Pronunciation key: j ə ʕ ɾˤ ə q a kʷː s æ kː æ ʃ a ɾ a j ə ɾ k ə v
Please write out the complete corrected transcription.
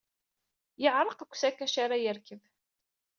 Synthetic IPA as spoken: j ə ʕ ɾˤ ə q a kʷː s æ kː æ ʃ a ɾ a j ə ɾ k ə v